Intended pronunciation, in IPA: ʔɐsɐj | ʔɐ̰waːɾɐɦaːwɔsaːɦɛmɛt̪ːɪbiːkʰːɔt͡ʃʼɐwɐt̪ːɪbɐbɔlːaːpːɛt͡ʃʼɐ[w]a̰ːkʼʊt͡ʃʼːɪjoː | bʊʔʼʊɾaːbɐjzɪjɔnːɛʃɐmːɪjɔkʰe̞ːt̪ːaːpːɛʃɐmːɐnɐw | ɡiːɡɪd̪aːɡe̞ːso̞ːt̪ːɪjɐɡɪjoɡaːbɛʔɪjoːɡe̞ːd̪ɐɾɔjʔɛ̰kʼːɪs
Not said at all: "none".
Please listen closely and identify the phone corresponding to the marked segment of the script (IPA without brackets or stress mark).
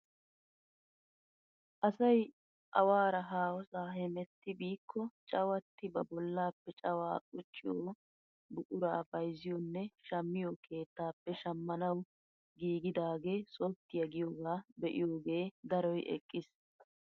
w